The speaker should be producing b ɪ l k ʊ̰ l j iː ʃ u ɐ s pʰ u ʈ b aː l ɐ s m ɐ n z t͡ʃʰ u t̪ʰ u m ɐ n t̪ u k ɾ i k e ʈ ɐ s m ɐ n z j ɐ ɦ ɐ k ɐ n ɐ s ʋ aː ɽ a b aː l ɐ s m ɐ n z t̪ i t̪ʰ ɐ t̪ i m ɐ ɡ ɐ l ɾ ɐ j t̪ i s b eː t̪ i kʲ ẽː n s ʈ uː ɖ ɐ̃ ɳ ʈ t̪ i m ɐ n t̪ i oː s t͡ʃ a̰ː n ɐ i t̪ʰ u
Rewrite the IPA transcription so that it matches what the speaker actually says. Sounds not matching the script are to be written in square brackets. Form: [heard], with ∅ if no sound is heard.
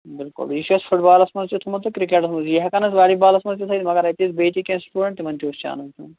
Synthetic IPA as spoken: b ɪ l k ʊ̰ l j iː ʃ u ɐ s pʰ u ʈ b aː l ɐ s m ɐ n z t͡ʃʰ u t̪ʰ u m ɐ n t̪ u k ɾ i k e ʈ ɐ s m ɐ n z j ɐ ɦ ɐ k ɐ n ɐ s ʋ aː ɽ [i] b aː l ɐ s m ɐ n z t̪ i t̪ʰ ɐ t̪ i m ɐ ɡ ɐ [∅] ɾ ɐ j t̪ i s b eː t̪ i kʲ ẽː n s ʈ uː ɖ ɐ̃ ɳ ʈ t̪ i m ɐ n t̪ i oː s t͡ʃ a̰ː n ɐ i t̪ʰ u